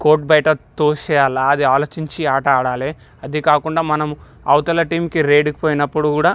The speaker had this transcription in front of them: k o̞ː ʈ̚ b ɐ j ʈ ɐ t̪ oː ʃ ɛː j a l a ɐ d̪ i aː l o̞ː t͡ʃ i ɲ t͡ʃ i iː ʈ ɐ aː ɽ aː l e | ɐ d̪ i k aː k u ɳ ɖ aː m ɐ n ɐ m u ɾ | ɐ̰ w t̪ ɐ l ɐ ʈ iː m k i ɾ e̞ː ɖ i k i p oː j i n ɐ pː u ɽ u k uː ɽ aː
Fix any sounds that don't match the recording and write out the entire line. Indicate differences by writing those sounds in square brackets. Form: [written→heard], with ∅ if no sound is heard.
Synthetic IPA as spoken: k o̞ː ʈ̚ b ɐ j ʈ ɐ t̪ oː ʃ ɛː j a l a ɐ d̪ i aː l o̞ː t͡ʃ i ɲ t͡ʃ i [iː→aː] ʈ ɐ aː ɽ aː l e | ɐ d̪ i k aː k u ɳ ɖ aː m ɐ n ɐ m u [ɾ→∅] | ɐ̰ w t̪ ɐ l ɐ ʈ iː m k i ɾ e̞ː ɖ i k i p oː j i n ɐ pː u ɽ u k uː ɽ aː

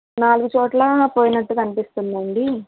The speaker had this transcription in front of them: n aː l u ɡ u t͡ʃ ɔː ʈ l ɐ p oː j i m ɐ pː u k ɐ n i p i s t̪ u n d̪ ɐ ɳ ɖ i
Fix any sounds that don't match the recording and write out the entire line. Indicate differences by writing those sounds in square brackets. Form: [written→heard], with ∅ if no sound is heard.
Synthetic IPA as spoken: n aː l u ɡ u t͡ʃ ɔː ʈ l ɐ p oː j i [m→n] ɐ [pː→ʈː] u k ɐ n i p i s t̪ u n d̪ ɐ ɳ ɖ i

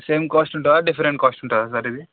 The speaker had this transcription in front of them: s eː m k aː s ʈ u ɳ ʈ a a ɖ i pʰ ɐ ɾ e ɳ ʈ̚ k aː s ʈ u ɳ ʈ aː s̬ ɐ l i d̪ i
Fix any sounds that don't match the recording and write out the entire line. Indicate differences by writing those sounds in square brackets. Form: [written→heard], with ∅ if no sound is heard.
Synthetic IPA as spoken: s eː m k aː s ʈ u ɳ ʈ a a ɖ i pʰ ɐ ɾ e ɳ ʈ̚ k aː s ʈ u ɳ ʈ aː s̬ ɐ [l→ɾ] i d̪ i

